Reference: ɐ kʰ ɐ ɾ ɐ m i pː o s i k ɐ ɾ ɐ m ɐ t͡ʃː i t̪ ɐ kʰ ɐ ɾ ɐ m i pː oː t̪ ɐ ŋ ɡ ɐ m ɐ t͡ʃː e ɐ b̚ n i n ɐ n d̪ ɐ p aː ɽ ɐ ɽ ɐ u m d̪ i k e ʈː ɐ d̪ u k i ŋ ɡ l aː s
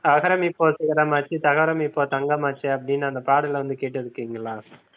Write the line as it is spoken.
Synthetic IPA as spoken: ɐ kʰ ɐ ɾ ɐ m i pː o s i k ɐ ɾ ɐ m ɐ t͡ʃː i t̪ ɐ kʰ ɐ ɾ ɐ m i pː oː t̪ ɐ ŋ ɡ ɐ m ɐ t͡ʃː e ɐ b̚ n i n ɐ n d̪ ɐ p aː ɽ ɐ l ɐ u n d̪ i k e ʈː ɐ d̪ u k i ŋ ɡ l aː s

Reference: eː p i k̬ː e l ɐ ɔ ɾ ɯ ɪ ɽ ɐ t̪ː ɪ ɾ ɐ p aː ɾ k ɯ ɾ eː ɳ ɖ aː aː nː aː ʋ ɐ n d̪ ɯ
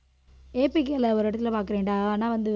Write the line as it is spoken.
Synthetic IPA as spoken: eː p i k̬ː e l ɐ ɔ ɾ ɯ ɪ ɽ ɐ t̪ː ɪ l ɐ p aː ɾ k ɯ ɾ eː ɳ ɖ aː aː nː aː ʋ ɐ n d̪ ɯ

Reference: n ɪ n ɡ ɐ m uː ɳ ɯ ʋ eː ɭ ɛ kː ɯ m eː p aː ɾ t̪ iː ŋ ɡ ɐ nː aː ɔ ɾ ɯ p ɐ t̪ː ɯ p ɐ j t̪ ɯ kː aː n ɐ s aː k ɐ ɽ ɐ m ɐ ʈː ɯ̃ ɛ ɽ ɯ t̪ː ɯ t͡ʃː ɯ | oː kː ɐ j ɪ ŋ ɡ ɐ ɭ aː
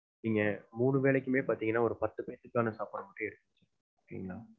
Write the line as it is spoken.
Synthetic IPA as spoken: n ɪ ŋ ɡ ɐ m uː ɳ ɯ ʋ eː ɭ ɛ kː ɯ m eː p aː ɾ t̪ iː ŋ ɡ ɐ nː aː ɔ ɾ ɯ p ɐ t̪ː ɯ p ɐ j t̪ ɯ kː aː n ɐ s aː p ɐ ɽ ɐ m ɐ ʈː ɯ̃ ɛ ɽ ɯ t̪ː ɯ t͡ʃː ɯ | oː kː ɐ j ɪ ŋ ɡ ɐ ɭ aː

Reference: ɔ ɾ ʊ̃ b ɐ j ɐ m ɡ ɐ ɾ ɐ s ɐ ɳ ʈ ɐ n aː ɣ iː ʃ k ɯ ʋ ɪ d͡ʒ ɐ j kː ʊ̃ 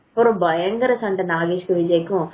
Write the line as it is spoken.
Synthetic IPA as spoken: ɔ ɾ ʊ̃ b ɐ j ɐ ŋ ɡ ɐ ɾ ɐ s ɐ ɳ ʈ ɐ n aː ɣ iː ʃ k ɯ ʋ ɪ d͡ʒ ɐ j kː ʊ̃

